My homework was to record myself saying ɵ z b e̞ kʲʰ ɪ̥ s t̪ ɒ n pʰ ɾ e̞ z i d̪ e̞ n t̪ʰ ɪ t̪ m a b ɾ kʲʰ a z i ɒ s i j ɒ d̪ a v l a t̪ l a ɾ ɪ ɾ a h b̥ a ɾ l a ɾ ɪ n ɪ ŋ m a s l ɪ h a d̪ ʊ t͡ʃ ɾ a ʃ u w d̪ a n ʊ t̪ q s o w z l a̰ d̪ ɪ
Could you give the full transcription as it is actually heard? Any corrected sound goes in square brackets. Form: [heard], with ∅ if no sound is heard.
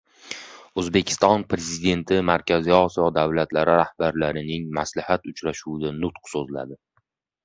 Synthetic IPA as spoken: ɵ z b e̞ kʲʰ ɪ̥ s t̪ ɒ n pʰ ɾ e̞ z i d̪ e̞ n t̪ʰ ɪ [∅] m a [∅] ɾ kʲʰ a z i ɒ s i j ɒ d̪ a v l a t̪ l a ɾ ɪ ɾ a h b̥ a ɾ l a ɾ ɪ n ɪ ŋ m a s l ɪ h a [t̪] ʊ t͡ʃ ɾ a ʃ u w d̪ a n ʊ t̪ q s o [∅] z l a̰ d̪ ɪ

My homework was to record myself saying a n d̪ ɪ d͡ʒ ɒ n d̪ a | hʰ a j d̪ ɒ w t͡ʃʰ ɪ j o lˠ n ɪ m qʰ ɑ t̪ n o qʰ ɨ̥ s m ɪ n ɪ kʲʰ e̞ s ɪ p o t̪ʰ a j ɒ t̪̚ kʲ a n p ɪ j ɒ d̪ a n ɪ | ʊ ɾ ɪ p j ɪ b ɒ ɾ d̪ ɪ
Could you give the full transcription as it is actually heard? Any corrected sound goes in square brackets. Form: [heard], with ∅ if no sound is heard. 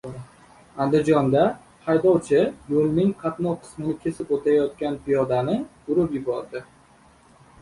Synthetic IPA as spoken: a n d̪ ɪ d͡ʒ ɒ n d̪ a | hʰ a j d̪ ɒ w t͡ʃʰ ɪ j o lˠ n ɪ [ŋ] qʰ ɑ t̪ n [ɒ] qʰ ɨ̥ s m ɪ n ɪ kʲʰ e̞ s ɪ p o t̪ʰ a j ɒ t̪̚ kʲ a n p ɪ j ɒ d̪ a n ɪ | ʊ ɾ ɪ p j ɪ b ɒ ɾ d̪ ɪ

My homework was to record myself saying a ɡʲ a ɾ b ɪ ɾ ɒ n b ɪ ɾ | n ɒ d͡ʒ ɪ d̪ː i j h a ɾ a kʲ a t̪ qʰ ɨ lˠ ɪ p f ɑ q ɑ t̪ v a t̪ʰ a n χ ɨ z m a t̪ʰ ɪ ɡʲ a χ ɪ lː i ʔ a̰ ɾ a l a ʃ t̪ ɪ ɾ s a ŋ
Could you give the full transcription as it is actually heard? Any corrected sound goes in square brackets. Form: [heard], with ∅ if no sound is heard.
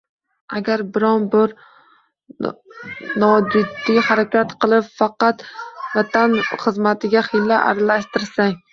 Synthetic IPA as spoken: a ɡʲ a ɾ b ɪ ɾ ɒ n b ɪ ɾ | n ɒ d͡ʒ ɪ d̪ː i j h a ɾ a kʲ a t̪ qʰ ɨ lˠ ɪ p f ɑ q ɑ t̪ v a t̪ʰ a n χ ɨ z m a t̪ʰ ɪ ɡʲ a χ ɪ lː [a] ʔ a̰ ɾ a l a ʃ t̪ ɪ ɾ s a ŋ

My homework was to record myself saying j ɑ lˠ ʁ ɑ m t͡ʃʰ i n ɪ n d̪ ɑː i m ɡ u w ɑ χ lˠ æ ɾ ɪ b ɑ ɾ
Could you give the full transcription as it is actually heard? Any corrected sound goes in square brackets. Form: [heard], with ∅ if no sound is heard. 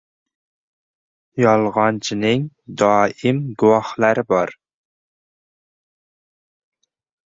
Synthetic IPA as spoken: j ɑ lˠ ʁ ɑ [n] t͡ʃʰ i n ɪ [ŋ] d̪ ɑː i m ɡ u w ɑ χ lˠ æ ɾ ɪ b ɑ ɾ

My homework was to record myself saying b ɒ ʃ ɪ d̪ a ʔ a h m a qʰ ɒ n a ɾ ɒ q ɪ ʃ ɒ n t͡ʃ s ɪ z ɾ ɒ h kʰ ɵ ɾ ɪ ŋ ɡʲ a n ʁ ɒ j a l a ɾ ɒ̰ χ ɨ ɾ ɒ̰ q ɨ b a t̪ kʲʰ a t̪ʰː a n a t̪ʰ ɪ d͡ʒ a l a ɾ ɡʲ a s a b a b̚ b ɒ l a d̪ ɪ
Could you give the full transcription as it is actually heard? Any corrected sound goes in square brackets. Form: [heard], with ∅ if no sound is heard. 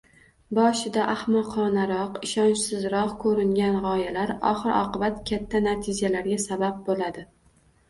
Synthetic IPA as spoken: b ɒ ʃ ɪ d̪ a ʔ a h m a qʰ ɒ n a ɾ ɒ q ɪ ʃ ɒ n t͡ʃ s ɪ z ɾ ɒ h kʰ ɵ ɾ ɪ ŋ ɡʲ a n ʁ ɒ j a l a ɾ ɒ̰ χ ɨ ɾ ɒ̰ q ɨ b a t̪ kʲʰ a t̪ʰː a n a t̪ʰ ɪ d͡ʒ a l a ɾ ɡʲ a s a b a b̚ b [o] l a d̪ ɪ

